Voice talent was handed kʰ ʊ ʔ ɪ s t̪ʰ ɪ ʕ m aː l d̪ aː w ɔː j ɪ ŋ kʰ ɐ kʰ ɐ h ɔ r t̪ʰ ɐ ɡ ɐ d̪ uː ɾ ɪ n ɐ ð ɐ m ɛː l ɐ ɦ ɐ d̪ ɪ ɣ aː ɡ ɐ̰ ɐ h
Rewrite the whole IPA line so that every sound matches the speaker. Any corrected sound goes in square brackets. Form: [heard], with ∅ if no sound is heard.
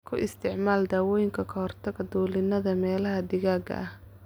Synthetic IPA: kʰ ʊ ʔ ɪ s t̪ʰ ɪ ʕ m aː l d̪ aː w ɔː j ɪ ŋ kʰ ɐ kʰ ɐ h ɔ r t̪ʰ ɐ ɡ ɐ d̪ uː [l] ɪ n ɐ ð ɐ m ɛː l ɐ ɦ ɐ d̪ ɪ ɣ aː ɡ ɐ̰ ɐ h